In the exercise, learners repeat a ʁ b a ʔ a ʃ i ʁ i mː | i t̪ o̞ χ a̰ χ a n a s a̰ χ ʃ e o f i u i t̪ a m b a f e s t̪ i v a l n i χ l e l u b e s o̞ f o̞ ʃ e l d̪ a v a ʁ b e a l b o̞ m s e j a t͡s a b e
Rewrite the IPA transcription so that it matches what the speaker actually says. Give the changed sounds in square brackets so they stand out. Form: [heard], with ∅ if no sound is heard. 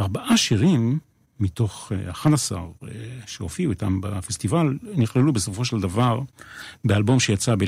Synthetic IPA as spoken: a ʁ b a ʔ a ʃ i ʁ i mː | i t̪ o̞ χ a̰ χ a n a s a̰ [ʁ] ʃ e o f i u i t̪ a m b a f e s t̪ i v a l n i χ l e l u b e s o̞ f o̞ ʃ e l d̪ a v a ʁ b e a l b o̞ m [ʃ] e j a t͡s a b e